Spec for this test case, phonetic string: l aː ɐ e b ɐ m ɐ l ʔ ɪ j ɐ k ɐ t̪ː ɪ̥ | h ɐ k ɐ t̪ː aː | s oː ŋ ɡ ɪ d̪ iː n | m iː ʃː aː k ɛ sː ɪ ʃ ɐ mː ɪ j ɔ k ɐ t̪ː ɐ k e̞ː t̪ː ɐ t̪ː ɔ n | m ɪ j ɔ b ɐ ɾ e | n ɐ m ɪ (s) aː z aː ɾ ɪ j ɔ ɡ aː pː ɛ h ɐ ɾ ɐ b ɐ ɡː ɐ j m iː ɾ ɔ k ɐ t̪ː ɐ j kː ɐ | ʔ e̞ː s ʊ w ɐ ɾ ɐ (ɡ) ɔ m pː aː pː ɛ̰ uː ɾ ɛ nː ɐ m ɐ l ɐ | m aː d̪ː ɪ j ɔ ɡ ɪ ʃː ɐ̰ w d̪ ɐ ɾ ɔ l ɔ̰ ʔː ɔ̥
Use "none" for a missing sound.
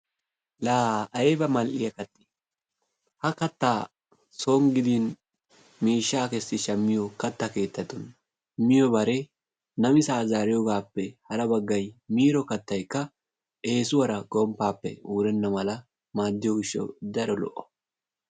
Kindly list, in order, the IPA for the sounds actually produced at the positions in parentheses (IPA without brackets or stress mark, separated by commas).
s, ɡ